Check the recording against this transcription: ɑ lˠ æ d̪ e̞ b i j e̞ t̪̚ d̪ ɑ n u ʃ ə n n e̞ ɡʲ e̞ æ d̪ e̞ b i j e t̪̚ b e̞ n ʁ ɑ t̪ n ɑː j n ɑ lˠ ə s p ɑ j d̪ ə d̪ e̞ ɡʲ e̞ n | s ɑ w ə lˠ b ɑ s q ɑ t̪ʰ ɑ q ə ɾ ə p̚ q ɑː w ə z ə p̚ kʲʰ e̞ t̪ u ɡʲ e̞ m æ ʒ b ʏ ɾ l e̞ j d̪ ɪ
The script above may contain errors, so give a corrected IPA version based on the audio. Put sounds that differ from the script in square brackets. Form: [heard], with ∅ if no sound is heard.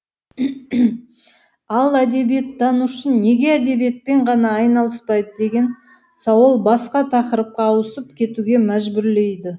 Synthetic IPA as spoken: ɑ lˠ æ d̪ e̞ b i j e̞ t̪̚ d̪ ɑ n u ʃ ə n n e̞ ɡʲ e̞ æ d̪ e̞ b i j e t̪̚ [p] e̞ [ɴ] ʁ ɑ [∅] n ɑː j n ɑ lˠ ə s p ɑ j d̪ ə d̪ e̞ ɡʲ e̞ n | s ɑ w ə lˠ b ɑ s q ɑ t̪ʰ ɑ q ə ɾ ə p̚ q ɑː w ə [s] ə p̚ kʲʰ e̞ t̪ u ɡʲ e̞ m æ ʒ b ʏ ɾ l e̞ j d̪ ɪ